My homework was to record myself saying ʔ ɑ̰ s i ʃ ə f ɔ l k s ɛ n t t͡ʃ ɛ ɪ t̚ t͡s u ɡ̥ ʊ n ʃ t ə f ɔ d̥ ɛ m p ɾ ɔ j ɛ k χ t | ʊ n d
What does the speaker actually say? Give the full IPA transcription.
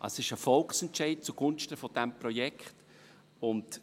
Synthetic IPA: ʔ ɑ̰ s ɪ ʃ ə f ɔ l k s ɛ n t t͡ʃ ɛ ɪ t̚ t͡s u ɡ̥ ʊ n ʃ t ə f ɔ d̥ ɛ m p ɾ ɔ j ɛ k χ t | ʊ n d

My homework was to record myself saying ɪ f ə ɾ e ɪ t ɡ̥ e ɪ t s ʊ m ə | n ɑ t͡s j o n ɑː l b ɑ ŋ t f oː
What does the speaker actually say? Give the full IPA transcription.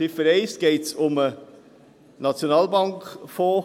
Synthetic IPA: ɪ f ə ɾ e ɪ s ɡ̥ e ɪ t s ʊ m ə | n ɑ t͡s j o n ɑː l b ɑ ŋ k f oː

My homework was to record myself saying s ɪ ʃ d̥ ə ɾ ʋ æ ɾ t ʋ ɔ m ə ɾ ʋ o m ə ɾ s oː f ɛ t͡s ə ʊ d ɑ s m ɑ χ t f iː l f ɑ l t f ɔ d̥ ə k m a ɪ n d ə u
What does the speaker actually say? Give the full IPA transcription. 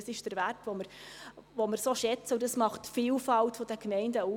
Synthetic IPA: s ɪ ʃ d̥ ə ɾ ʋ æ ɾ t ʋ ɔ m ə ɾ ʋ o m ə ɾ s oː ʃ ɛ t͡s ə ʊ d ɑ s m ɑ χ t f iː l f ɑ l t f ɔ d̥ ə k m ɛ ɪ n d ə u

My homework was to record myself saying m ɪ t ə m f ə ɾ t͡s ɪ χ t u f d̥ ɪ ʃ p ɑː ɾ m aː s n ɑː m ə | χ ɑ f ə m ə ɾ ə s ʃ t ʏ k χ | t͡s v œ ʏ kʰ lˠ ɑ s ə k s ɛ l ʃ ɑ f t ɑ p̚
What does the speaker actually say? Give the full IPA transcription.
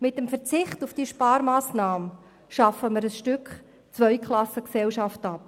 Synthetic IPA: m ɪ t ə m f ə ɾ t͡s ɪ χ t u f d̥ i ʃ p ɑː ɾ m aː s n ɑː m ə | ʃ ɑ f ə m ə ɾ ə s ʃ t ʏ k χ | t͡s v œ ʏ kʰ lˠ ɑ s ə k s ɛ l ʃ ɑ f t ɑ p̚

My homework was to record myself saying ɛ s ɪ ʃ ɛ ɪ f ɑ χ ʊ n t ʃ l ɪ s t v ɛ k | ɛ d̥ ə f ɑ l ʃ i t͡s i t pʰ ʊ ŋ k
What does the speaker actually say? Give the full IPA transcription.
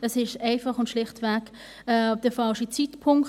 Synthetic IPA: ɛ s ɪ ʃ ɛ ɪ f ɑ χ ʊ n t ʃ l ɪ χ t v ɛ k | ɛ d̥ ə f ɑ l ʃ i t͡s i t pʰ ʊ ŋ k

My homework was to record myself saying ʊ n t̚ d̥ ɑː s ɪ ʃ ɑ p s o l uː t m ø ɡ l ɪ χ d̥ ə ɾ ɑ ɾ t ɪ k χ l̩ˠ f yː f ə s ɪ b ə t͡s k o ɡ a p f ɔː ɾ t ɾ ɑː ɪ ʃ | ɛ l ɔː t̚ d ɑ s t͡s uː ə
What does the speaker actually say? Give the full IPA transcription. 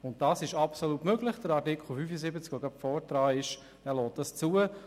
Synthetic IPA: ʊ n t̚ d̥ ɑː s ɪ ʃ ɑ p s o l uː t m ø ɡ l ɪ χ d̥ ə ɾ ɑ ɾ t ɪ k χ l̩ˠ f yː f ə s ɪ b ə t͡s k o ɡ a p f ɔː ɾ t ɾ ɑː ɪ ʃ | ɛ l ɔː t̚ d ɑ s t͡s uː ə

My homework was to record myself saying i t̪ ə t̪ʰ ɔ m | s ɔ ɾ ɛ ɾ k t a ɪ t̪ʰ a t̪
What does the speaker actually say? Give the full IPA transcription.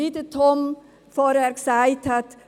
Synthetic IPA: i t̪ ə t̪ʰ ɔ m | f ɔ ɾ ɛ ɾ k s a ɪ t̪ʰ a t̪

